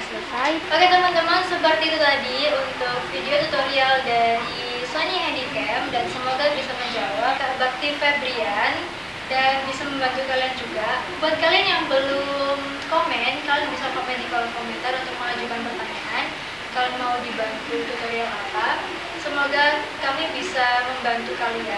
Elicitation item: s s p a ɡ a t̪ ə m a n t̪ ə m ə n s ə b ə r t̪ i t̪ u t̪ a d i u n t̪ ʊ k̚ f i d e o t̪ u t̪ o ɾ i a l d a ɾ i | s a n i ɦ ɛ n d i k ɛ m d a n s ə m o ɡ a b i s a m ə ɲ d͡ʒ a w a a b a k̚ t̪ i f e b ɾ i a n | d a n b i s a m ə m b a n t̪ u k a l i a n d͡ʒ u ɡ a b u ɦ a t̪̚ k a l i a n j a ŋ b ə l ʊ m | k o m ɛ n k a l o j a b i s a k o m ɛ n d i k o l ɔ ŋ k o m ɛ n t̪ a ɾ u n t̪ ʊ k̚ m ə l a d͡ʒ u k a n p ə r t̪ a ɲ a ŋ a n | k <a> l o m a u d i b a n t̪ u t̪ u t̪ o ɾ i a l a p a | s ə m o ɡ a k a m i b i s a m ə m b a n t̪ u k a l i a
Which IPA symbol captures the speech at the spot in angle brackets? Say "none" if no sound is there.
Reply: a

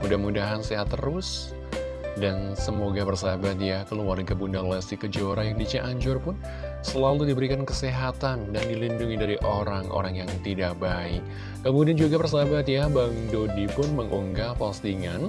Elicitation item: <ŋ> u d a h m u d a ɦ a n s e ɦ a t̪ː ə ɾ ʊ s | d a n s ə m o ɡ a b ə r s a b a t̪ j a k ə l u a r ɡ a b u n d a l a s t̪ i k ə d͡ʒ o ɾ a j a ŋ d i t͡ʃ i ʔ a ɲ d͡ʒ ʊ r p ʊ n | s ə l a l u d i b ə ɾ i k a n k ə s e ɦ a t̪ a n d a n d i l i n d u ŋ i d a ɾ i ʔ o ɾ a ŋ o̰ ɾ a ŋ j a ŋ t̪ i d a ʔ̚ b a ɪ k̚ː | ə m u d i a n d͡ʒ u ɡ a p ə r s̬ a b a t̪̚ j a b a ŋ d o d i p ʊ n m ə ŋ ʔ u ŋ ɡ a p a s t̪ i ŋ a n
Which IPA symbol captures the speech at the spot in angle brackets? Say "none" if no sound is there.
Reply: m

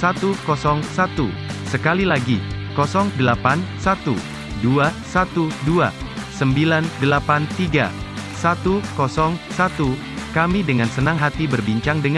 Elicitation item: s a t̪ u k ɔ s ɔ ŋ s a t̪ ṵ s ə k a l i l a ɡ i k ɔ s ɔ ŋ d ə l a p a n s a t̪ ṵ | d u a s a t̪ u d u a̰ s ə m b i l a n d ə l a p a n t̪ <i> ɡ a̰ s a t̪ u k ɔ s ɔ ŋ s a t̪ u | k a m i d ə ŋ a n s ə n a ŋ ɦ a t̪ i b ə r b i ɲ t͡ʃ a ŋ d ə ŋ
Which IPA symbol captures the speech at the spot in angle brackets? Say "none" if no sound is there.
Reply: i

